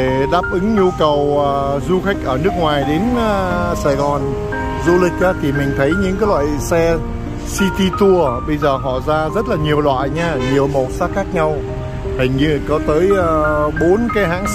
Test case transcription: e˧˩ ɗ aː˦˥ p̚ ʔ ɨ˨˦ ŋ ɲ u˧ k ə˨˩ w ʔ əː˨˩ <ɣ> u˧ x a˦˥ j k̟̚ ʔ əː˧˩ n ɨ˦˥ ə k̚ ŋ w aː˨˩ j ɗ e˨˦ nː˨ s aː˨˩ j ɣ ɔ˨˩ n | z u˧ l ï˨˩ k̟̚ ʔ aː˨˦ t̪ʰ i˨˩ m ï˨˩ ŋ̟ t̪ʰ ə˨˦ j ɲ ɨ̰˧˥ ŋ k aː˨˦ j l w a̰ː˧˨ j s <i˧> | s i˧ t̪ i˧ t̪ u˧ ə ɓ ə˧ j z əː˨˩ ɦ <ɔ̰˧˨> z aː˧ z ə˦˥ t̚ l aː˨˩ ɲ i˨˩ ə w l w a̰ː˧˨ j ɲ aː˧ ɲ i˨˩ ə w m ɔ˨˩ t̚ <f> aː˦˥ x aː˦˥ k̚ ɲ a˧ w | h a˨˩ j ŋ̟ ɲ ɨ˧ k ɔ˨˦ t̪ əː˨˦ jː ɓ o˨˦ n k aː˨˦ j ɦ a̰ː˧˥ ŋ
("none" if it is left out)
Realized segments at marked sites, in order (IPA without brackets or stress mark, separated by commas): z, ɛ˧, ɔ̰˧˨, s